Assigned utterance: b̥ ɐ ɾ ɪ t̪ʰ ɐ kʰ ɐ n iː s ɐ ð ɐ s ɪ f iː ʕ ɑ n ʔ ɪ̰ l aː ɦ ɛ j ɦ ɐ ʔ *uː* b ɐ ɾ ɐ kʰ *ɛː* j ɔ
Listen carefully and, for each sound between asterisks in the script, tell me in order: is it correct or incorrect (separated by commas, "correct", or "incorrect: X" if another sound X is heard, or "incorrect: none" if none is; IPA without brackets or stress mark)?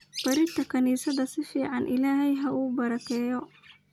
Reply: correct, correct